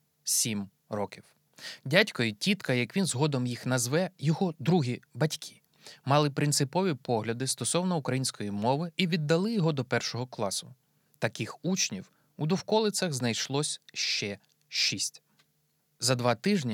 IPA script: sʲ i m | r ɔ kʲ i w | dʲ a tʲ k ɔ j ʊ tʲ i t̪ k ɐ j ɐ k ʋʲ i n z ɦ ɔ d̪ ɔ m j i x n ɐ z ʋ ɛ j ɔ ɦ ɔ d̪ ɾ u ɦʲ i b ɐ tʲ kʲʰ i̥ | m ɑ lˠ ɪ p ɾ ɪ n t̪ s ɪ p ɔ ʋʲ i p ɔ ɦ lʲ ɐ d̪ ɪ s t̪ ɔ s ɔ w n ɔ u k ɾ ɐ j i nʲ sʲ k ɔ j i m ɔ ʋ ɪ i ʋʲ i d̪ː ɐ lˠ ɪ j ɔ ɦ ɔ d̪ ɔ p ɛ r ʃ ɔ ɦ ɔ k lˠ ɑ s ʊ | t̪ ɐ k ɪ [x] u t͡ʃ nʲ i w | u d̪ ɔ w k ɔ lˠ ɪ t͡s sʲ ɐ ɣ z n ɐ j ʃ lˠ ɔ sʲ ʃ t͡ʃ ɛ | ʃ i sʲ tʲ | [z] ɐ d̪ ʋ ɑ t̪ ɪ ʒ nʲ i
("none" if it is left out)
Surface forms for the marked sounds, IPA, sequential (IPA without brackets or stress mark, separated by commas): x, z